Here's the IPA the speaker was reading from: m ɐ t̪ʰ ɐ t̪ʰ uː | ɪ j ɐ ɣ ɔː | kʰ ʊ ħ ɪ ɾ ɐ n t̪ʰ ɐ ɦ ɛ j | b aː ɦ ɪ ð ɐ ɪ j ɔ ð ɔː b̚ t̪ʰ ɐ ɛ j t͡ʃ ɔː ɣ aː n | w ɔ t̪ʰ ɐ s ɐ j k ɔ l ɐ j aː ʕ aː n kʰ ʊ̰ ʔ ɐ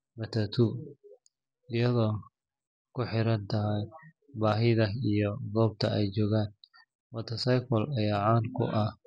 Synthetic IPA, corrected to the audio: m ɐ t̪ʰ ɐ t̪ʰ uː | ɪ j ɐ ð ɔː | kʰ ʊ ħ ɪ ɾ ɐ n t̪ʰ ɐ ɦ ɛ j | b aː ɦ ɪ ð ɐ i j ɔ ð ɔː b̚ t̪ʰ ɐ ɛ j t͡ʃ ɔː ɣ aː n | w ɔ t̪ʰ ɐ s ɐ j k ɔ l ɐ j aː ʕ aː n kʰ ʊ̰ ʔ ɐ